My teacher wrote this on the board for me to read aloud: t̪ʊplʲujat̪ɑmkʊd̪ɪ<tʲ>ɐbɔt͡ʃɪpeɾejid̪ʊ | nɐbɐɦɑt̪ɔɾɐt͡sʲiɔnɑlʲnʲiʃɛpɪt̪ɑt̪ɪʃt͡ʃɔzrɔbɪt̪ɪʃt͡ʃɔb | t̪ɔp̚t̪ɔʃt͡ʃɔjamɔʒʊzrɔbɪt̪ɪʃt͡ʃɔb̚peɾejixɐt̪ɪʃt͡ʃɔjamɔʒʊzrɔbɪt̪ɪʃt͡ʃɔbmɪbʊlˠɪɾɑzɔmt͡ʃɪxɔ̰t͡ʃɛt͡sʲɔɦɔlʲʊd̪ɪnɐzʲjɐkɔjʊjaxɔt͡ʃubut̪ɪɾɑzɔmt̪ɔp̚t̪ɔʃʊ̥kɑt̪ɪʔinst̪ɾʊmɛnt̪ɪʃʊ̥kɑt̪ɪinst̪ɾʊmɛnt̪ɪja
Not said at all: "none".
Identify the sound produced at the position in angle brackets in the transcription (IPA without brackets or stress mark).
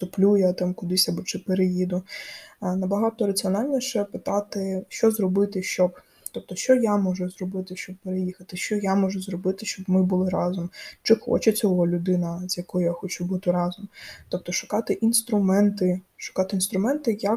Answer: sʲ